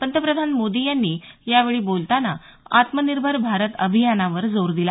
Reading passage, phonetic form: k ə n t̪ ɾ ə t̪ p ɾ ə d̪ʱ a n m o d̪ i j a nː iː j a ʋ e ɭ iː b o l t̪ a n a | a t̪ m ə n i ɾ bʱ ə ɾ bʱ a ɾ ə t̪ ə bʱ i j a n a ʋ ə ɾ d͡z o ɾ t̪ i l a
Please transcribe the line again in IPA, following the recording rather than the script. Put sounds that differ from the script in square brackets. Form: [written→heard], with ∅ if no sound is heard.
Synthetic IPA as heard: [k→p] ə n t̪ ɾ ə [t̪→∅] p ɾ ə d̪ʱ a n m o d̪ i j a nː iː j a ʋ e ɭ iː b o l t̪ a n a | a t̪ m ə n i ɾ bʱ ə ɾ bʱ a ɾ ə t̪ ə bʱ i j a n a ʋ ə ɾ d͡z o ɾ [t̪→d̪] i l a